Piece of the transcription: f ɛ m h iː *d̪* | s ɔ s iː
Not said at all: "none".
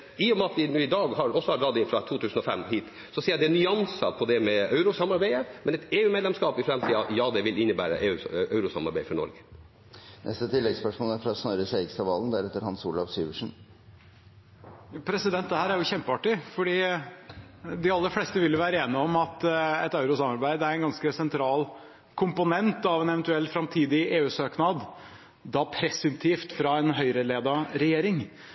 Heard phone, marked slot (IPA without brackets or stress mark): t̪